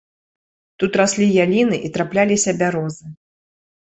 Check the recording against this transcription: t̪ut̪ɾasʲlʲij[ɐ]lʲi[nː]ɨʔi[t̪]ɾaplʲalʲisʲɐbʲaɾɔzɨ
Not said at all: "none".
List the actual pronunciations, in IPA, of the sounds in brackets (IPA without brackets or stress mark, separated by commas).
a, n, t̪